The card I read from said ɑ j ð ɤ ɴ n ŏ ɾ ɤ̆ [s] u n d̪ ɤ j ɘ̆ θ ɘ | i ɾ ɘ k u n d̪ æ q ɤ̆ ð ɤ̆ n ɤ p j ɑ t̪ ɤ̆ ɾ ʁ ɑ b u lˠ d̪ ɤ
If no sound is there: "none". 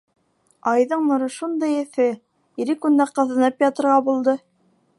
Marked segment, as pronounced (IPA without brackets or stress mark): ʃ